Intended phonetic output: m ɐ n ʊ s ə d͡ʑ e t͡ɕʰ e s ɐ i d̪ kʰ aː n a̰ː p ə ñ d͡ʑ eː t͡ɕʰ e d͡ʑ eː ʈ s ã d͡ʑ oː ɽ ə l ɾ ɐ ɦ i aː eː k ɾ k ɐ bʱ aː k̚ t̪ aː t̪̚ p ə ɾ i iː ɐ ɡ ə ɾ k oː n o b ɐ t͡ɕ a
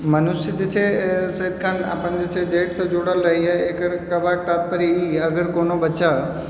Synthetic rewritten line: m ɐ n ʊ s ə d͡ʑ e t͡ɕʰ e s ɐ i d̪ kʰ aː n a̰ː p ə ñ d͡ʑ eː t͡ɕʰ e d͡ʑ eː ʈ s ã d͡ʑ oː ɽ ə l ɾ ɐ ɦ i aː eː k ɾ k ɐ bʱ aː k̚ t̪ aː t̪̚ p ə ɾ i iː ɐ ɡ ə ɾ k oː n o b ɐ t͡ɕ a

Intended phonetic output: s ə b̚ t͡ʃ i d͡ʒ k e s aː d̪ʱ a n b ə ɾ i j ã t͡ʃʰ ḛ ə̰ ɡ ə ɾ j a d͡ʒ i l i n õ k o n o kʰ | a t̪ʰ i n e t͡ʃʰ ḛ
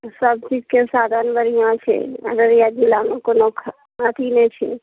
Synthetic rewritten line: s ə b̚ t͡ʃ i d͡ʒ k e s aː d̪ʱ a n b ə ɾ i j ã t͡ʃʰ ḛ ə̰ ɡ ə ɾ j a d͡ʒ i l a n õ k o n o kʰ | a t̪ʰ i n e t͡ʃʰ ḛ

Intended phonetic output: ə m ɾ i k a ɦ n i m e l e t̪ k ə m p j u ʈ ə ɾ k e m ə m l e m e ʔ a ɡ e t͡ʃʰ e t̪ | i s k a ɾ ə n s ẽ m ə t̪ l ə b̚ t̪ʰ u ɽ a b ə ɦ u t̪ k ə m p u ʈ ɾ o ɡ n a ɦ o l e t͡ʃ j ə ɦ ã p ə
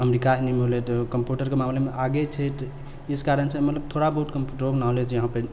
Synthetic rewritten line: ə m ɾ i k a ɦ n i m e l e t̪ k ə m p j u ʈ ə ɾ k e m a m l e m e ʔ a ɡ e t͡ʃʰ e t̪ | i s k a ɾ ə n s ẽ m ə t̪ l ə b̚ t̪ʰ o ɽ a b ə ɦ u t̪ k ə m p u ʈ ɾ o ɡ n a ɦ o l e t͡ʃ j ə ɦ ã p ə

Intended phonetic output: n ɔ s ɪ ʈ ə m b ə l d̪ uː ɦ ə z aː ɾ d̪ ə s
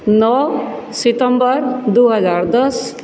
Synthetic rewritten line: n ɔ s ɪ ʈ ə m b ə ɾ d̪ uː ɦ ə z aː ɾ d̪ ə s

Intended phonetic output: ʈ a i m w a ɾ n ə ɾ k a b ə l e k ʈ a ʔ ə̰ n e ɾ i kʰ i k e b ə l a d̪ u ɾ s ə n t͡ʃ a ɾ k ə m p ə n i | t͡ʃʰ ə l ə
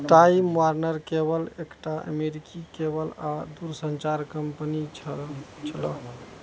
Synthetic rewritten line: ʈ a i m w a ɾ n ə ɾ k e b ə l e k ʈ a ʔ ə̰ m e ɾ i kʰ i k e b ə l a d̪ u ɾ s ə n t͡ʃ a ɾ k ə m p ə n i | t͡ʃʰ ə l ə

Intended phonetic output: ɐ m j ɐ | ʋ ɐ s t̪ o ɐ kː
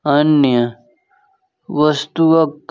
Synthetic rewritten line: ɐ n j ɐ | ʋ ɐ s t̪ u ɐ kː

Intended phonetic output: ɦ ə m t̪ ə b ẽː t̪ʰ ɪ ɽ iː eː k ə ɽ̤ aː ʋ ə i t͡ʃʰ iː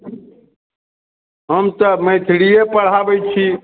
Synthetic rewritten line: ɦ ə m t̪ ə m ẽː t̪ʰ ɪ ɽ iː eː p ə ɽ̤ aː ʋ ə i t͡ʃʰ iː

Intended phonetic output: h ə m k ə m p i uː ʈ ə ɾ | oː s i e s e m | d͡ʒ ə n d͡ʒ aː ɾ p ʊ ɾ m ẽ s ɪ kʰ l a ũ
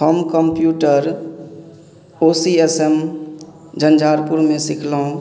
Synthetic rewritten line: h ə m k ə m p j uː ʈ ə ɾ | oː s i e s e m | d͡ʒ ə n d͡ʒ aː ɾ p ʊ ɾ m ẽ s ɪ kʰ l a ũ

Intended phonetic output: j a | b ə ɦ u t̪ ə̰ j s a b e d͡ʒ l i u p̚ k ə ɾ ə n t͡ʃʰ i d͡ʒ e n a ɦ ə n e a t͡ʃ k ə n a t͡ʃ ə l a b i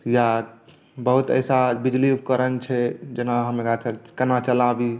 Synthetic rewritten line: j a | b ə ɦ u t̪ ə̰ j s a b i d͡ʒ l i u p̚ k ə ɾ ə n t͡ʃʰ ɛ d͡ʒ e n a ɦ ə m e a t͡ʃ k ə n a t͡ʃ ə l a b i

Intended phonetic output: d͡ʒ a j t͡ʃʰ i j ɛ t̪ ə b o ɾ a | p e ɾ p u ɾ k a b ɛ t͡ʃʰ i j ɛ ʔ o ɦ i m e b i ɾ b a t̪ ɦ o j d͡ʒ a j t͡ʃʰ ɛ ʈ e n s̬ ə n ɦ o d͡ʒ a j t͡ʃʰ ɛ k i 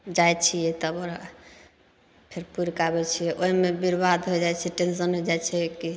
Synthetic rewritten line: d͡ʒ a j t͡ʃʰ i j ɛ t̪ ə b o ɾ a | pʰ e ɾ p u ɾ k a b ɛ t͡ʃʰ i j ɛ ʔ o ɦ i m e b i ɾ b a d̪ ɦ o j d͡ʒ a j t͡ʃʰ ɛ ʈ e n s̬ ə n ɦ o d͡ʒ a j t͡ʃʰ ɛ k i

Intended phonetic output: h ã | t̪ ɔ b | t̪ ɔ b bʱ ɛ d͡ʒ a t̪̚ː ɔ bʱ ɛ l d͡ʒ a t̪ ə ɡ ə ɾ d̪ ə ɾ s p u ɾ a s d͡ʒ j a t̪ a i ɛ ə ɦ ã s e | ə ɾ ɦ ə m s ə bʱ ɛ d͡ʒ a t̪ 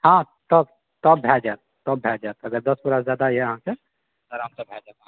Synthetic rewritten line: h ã | t̪ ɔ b | t̪ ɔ b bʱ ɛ d͡ʒ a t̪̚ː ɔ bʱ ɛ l d͡ʒ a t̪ ə ɡ ə ɾ d̪ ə s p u ɾ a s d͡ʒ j a d̪ a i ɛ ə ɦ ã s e | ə ɾ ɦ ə m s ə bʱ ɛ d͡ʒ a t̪

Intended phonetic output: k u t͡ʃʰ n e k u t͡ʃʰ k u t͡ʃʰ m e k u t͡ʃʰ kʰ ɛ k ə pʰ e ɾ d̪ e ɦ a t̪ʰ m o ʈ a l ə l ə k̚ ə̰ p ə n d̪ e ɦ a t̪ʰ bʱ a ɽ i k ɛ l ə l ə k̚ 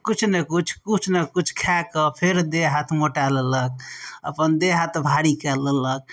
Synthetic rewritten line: k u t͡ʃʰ n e k u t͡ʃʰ k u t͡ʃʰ n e k u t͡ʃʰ kʰ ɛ k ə pʰ e ɾ d̪ e ɦ a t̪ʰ m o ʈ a l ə l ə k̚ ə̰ p ə n d̪ e ɦ a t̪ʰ bʱ a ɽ i k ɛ l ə l ə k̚

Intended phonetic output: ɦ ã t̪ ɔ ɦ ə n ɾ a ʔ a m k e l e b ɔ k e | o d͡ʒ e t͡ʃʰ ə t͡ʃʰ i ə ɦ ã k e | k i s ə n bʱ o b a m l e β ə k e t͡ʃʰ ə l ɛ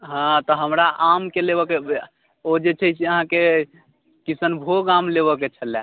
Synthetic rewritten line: ɦ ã t̪ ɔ ɦ ə m ɾ a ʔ a m k e l e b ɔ k e | o d͡ʒ e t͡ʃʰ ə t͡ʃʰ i ə ɦ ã k e | k i s ə n bʱ o ɡ a m l e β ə k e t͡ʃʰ ə l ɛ

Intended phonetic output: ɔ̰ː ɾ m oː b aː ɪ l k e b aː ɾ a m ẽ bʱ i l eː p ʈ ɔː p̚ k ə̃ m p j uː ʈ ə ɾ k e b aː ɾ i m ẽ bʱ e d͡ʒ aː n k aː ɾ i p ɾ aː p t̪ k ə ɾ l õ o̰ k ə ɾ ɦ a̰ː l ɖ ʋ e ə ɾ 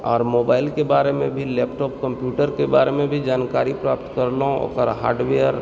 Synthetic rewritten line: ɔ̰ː ɾ m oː b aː ɪ l k e b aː ɾ e m ẽ bʱ i l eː p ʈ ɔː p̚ k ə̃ m p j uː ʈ ə ɾ k e b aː ɾ e m ẽ bʱ i d͡ʒ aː n k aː ɾ i p ɾ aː p t̪ k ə ɾ l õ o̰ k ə ɾ ɦ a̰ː ɾ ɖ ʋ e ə ɾ

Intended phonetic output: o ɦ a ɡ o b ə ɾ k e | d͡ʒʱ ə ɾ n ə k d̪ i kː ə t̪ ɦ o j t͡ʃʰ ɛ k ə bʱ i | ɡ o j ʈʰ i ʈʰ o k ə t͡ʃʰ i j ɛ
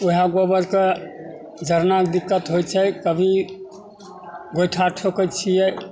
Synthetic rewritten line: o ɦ a ɡ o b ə ɾ k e | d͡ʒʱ ə ɾ n a k d̪ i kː ə t̪ ɦ o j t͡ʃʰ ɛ k ə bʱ i | ɡ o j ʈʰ a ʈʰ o k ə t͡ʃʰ i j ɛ

